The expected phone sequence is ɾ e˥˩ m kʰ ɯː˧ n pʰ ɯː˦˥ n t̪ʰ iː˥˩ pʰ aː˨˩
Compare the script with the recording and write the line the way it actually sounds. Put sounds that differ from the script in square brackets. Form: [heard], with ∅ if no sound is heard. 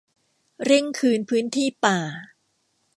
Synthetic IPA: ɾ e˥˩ [ŋ] kʰ ɯː˧ n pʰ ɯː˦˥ n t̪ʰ iː˥˩ [p] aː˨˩